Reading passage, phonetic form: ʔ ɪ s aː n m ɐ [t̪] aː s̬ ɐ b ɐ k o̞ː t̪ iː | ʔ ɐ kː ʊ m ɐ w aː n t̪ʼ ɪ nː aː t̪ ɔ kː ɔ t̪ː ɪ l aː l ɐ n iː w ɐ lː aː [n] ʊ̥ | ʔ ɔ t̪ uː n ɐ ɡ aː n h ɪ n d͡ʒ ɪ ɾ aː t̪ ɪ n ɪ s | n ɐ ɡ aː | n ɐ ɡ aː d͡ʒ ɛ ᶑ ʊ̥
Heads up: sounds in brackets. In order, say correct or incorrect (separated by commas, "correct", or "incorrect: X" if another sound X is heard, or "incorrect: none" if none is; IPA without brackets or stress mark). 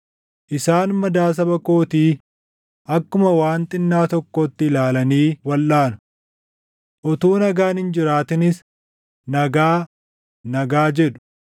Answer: incorrect: d̪, correct